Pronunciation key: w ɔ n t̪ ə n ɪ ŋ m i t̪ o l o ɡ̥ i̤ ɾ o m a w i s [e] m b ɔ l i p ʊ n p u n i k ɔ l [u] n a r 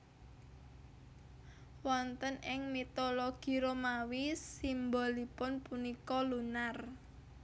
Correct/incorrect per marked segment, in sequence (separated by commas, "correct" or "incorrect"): incorrect, correct